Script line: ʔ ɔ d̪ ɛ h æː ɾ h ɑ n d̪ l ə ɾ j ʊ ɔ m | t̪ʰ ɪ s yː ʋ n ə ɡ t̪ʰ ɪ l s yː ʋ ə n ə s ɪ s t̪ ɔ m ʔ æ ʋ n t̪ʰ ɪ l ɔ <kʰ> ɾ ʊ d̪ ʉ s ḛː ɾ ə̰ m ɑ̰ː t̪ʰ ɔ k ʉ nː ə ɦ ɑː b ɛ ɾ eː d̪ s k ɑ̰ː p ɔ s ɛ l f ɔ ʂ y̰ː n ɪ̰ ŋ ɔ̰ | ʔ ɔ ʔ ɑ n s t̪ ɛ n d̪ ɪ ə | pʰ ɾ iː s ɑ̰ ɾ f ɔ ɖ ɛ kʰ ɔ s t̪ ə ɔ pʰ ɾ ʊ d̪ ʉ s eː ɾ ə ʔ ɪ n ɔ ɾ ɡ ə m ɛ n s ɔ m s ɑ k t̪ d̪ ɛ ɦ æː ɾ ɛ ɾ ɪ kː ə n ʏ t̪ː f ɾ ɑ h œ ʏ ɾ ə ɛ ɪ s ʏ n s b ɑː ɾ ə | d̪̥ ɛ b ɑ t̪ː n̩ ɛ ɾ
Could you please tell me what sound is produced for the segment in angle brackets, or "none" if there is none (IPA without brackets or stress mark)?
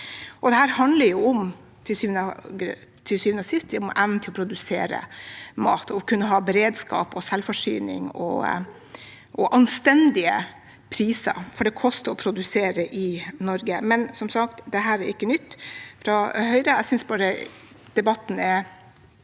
pʰ